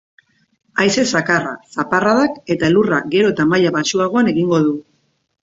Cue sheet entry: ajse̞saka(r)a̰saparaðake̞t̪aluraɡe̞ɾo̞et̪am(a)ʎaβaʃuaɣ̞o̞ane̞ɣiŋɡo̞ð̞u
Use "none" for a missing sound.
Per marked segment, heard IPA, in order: r, a

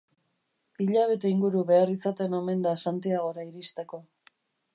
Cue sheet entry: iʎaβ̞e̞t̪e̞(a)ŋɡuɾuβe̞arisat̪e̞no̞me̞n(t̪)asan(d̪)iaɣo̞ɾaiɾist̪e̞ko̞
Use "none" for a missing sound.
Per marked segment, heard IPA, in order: i, d̪, t̪

